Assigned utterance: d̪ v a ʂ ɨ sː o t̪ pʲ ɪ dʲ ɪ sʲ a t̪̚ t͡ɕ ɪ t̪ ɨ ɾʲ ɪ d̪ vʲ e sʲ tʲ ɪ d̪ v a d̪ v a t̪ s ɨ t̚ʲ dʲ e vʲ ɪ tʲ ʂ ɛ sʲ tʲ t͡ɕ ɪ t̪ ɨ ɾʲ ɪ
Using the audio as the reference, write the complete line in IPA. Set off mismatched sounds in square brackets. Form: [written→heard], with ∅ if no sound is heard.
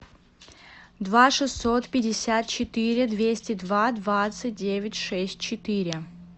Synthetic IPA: d̪ v a ʂ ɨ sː o t̪ pʲ ɪ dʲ ɪ sʲ a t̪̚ t͡ɕ ɪ t̪ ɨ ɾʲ ɪ d̪ vʲ e sʲ tʲ ɪ d̪ v a d̪ v a t̪ s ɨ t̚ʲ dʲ e vʲ ɪ tʲ ʂ ɛ sʲ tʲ t͡ɕ ɪ t̪ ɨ ɾʲ ɪ